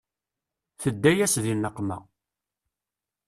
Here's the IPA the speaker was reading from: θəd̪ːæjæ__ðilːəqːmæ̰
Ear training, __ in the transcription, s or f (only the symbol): s